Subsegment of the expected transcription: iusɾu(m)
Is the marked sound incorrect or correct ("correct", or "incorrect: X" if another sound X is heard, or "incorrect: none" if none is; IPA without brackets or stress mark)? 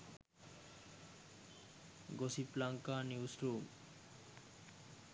correct